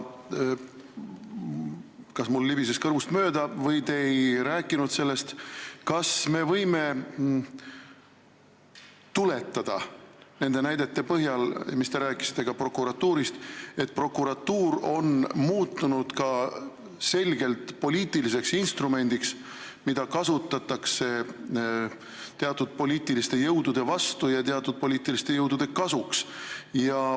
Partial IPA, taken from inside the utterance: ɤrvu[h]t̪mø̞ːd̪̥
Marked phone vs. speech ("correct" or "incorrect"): incorrect